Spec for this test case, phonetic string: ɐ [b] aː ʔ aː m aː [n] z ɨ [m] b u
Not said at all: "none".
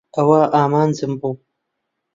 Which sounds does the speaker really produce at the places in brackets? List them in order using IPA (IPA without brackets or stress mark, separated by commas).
w, n, m